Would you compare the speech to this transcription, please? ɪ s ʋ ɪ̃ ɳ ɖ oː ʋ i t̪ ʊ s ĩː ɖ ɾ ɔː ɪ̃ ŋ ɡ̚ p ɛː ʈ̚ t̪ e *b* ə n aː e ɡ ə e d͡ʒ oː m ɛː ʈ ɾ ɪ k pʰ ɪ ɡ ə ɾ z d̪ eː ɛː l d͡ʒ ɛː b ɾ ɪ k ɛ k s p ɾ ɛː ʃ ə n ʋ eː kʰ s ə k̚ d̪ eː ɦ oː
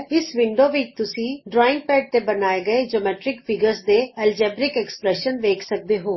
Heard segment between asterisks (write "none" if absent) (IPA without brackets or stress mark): b